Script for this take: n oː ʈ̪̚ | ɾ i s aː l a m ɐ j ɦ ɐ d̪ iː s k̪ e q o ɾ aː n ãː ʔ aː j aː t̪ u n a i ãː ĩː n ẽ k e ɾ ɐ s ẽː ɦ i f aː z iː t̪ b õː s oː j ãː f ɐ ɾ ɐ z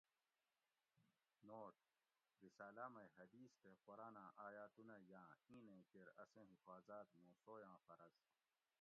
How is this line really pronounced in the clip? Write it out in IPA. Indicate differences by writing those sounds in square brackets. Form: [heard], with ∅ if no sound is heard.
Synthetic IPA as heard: n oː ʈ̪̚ | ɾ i s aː l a m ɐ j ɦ ɐ d̪ iː s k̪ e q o ɾ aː n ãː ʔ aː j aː t̪ u n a [j] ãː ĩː n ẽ k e ɾ ɐ s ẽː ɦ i f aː z [aː] t̪ [m] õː s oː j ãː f ɐ ɾ ɐ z